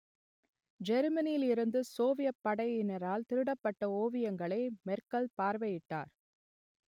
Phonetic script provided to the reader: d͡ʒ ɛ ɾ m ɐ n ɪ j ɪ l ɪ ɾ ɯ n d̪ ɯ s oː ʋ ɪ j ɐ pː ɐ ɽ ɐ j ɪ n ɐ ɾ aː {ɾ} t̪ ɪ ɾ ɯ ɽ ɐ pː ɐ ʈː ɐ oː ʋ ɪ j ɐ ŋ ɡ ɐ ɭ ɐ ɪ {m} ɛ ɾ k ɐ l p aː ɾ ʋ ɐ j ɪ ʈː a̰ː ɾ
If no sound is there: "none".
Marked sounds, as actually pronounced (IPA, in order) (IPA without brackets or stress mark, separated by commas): l, m